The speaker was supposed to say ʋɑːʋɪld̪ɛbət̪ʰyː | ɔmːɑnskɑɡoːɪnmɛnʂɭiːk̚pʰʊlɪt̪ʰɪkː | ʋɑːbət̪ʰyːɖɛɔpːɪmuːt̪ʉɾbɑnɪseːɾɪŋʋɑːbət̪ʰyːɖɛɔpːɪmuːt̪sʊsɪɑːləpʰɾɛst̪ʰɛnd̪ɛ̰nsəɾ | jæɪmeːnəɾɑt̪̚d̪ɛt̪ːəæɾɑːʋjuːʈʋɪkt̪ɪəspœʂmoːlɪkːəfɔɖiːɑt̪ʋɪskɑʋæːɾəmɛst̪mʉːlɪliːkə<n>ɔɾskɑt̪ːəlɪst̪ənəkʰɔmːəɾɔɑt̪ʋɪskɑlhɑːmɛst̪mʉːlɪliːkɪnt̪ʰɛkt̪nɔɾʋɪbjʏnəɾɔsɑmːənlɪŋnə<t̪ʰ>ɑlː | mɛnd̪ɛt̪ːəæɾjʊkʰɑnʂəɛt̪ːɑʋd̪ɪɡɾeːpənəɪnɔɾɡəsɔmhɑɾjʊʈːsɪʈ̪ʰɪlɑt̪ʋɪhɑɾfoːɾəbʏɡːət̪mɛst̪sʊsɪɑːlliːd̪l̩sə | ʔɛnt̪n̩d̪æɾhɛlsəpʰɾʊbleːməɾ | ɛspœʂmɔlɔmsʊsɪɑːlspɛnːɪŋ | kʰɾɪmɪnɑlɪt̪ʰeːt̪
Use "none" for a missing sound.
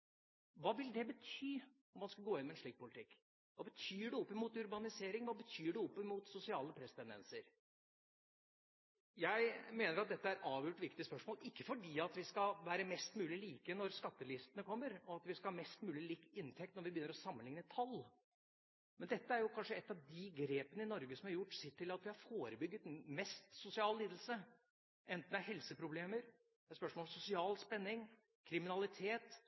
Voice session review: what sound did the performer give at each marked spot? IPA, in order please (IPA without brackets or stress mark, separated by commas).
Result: n, t̪ʰ